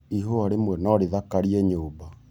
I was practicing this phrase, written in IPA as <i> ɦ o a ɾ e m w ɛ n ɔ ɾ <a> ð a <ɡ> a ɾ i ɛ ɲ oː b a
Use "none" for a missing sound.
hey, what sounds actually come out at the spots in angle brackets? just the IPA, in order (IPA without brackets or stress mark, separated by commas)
i, e, k